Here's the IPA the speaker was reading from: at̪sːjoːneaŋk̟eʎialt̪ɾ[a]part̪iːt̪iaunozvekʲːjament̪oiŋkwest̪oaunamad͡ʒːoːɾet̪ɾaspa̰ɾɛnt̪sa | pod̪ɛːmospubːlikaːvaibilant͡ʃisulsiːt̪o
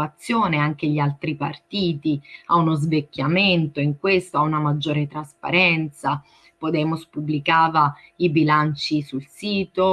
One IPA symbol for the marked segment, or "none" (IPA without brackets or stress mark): i